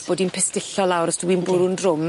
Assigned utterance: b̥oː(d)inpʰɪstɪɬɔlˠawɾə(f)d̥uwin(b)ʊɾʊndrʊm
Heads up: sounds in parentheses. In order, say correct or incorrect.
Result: correct, incorrect, correct

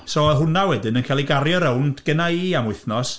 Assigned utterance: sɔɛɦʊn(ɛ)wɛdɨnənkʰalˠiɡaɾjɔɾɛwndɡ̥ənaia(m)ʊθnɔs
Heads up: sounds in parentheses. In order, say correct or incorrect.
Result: incorrect, correct

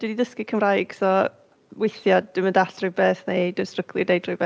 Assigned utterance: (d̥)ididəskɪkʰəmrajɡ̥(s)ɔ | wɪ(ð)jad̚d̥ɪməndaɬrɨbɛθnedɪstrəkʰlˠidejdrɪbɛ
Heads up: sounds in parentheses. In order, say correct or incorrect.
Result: correct, correct, incorrect

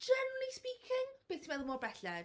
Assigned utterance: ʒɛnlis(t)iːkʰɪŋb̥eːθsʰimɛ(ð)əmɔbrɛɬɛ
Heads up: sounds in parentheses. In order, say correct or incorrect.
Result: incorrect, correct

